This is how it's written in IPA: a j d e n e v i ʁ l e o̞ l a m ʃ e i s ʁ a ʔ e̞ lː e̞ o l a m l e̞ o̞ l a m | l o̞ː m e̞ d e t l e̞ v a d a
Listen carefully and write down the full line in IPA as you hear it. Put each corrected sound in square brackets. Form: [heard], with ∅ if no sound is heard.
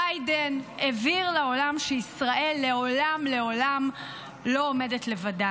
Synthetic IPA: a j d e n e v i ʁ l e o̞ l a m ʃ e i s ʁ a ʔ e̞ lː e̞ o l a m l e̞ o̞ l a m | l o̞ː m e̞ d e t l e̞ v a d a